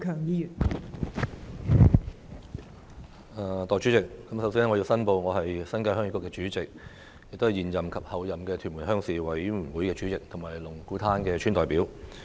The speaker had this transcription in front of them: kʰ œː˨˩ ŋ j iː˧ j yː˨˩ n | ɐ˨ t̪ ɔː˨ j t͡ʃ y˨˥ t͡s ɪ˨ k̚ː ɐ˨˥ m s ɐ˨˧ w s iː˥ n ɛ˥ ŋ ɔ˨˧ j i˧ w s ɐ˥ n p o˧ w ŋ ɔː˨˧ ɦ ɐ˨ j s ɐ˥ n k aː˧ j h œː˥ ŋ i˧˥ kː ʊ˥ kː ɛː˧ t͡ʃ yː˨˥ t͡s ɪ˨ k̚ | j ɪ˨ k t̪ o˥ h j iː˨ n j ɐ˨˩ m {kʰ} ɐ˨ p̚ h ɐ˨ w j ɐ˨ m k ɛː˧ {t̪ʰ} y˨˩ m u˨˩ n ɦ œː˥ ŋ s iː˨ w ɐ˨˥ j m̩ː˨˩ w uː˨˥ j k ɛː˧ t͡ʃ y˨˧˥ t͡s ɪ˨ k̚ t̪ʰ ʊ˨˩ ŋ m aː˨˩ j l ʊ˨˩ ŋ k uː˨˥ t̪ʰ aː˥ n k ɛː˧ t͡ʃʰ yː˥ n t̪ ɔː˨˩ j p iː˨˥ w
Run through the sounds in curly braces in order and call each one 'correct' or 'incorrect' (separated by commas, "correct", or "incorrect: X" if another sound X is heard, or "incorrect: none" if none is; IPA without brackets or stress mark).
correct, correct